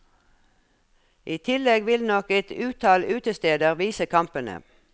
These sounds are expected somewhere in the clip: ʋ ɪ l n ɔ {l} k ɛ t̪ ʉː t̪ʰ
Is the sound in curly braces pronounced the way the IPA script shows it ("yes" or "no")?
no